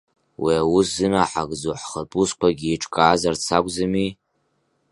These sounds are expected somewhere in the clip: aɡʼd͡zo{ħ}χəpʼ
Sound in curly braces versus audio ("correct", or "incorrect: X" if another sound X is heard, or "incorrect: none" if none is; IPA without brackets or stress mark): correct